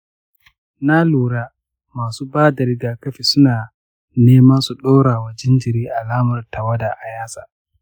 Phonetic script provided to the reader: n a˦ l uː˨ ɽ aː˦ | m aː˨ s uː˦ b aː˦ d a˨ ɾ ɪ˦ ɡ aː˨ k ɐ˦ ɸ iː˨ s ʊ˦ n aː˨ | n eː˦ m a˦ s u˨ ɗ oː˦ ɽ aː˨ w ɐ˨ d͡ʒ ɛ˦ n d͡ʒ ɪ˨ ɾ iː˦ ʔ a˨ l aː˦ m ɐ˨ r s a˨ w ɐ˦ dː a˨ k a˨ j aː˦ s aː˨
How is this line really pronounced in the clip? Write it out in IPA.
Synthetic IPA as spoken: n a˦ l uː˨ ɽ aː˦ | m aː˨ s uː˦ b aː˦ d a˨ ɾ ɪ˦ ɡ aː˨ k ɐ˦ ɸ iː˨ s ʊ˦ n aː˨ | n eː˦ m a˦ s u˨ ɗ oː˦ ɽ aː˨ w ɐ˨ d͡ʒ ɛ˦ n d͡ʒ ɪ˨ ɾ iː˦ ʔ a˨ l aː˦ m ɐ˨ r t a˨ w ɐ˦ d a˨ ʔ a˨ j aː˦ s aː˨